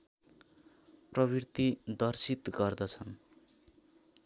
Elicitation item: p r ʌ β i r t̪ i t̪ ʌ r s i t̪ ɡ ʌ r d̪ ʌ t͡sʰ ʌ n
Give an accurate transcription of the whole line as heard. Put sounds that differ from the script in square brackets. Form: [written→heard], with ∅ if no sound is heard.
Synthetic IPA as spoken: p r ʌ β i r t̪ i [t̪→d̪] ʌ r s i t̪ ɡ ʌ r d̪ ʌ t͡sʰ ʌ n